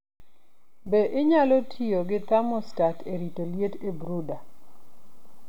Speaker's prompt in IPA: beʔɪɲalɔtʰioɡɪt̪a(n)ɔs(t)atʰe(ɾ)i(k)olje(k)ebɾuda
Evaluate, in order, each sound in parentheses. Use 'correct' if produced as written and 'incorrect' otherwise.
incorrect: m, correct, correct, incorrect: t, incorrect: t

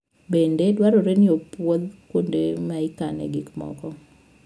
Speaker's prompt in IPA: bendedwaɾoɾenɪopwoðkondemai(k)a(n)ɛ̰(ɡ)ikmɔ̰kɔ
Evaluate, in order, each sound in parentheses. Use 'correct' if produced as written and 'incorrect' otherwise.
correct, correct, correct

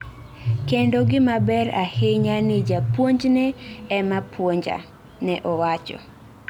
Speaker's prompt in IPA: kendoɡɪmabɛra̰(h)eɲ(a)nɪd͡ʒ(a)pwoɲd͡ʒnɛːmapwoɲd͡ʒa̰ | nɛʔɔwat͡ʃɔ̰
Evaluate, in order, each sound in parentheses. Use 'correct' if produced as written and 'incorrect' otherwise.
correct, correct, correct

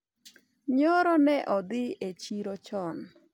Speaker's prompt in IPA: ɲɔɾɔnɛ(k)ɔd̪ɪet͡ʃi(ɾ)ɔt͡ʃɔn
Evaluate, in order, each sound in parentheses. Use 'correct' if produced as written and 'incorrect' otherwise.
incorrect: ʔ, correct

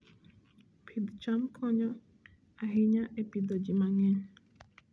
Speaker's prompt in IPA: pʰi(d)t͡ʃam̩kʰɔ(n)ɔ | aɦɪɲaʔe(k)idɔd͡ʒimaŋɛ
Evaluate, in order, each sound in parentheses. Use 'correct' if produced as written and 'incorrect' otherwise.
correct, incorrect: ɲ, incorrect: p

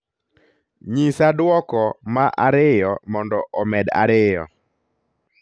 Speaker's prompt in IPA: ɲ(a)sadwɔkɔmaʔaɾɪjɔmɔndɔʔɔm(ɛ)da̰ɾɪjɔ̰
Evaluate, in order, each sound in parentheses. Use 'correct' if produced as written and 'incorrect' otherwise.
incorrect: i, correct

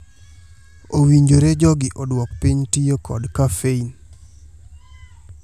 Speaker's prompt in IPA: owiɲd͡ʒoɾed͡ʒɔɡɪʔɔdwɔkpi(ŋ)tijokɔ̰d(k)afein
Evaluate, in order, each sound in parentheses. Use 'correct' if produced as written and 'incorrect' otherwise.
incorrect: ɲ, correct

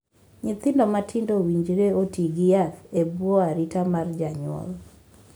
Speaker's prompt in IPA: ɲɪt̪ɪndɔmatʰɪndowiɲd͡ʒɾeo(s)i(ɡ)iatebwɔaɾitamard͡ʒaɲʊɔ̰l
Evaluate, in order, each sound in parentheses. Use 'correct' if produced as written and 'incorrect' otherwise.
incorrect: t, correct

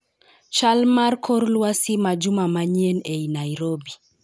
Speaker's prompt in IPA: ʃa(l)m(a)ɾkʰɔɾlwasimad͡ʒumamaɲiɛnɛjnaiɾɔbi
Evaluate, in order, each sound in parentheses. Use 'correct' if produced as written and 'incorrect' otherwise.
correct, correct

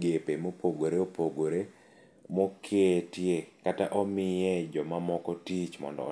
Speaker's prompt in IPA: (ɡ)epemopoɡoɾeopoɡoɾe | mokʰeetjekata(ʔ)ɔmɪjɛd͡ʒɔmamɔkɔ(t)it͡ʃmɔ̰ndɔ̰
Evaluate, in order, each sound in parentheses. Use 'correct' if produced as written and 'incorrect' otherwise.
correct, correct, correct

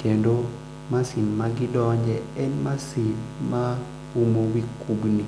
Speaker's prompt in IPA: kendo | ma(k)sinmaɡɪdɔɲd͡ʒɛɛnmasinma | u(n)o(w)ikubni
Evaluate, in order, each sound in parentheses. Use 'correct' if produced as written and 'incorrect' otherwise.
incorrect: none, incorrect: m, correct

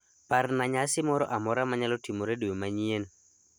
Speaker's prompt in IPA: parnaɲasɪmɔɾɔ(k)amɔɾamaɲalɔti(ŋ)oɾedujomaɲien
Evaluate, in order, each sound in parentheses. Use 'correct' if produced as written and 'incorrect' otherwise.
incorrect: ʔ, incorrect: m

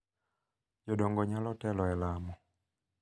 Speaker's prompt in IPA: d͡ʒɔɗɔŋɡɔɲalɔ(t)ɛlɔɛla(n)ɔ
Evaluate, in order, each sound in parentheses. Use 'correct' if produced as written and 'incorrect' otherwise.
correct, incorrect: m

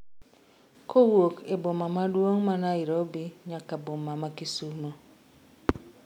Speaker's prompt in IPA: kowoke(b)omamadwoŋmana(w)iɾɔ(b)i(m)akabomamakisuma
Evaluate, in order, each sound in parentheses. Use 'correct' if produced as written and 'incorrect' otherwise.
correct, incorrect: none, correct, incorrect: ɲ

